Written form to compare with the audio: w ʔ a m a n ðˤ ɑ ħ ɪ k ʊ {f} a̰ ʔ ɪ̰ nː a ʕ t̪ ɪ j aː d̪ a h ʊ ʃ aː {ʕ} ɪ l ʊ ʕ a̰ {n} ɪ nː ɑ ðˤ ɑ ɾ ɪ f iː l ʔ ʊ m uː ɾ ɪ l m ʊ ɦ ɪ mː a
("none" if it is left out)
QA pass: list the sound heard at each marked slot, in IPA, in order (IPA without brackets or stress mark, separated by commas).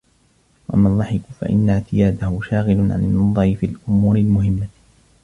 f, ɣ, n